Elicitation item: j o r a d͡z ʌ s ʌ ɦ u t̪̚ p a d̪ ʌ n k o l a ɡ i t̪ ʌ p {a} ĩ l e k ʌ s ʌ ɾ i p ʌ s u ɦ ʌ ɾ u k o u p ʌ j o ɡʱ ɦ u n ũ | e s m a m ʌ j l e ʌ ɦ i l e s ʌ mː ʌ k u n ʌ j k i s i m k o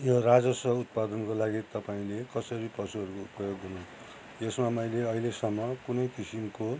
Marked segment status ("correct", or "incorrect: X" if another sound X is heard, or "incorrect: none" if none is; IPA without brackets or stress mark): correct